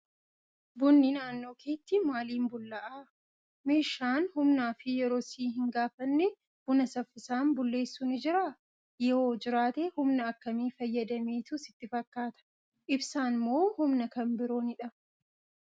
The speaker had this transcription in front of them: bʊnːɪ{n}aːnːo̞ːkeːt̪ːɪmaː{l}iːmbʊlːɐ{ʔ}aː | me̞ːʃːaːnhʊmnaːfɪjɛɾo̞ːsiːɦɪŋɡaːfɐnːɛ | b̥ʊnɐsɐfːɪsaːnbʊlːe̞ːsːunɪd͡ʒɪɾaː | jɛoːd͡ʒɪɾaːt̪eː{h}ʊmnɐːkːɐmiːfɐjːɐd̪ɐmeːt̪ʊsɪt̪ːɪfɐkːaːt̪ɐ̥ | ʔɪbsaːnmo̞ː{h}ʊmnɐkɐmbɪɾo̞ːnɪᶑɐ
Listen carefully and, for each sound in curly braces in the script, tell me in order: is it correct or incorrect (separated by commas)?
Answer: correct, correct, correct, correct, correct